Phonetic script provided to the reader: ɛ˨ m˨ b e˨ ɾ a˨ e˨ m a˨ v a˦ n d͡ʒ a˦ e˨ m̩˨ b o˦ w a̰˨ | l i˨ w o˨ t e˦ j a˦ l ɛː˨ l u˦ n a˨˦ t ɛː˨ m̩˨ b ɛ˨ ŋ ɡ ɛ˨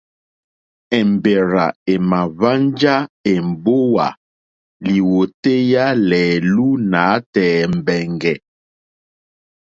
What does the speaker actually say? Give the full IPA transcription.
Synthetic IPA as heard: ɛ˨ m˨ b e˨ ɾ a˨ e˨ m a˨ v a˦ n d͡ʒ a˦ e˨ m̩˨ b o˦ w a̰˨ | l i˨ w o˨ t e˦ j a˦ l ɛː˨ l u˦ n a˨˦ t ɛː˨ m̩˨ b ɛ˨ ŋ ɡ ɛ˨